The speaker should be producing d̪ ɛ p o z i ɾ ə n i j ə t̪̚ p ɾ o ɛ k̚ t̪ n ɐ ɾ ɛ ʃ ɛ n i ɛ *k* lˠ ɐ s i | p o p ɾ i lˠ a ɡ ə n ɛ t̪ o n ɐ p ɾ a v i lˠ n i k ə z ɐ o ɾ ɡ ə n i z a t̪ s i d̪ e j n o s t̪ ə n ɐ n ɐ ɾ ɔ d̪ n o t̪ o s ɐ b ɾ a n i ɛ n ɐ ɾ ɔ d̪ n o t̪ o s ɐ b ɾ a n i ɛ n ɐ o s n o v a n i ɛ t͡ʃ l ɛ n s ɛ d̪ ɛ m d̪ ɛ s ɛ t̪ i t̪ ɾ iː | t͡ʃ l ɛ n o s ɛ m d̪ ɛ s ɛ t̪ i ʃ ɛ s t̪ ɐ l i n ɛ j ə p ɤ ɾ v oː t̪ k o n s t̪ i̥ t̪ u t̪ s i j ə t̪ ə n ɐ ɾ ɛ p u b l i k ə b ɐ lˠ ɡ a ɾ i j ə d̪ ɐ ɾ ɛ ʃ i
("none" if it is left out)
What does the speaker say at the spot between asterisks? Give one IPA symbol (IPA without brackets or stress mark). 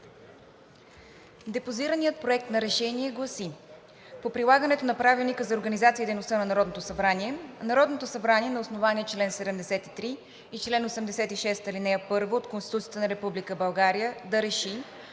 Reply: ɡ